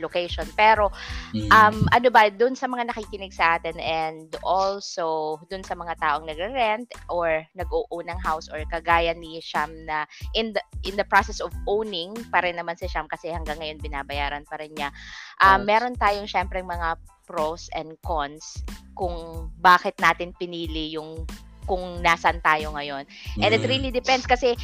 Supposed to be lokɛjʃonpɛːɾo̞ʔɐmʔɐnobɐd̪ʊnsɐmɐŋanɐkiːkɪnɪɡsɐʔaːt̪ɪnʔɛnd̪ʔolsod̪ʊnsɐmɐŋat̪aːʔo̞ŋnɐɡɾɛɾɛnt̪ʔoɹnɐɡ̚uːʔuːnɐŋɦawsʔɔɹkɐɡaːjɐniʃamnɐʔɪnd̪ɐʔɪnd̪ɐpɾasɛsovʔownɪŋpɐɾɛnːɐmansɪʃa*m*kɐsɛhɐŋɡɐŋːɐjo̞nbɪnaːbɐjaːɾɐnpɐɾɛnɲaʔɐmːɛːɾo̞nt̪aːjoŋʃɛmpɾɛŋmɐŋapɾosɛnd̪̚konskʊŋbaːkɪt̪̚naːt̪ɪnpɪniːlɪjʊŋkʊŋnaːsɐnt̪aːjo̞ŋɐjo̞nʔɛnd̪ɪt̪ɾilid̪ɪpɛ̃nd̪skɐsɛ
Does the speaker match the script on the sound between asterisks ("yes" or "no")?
yes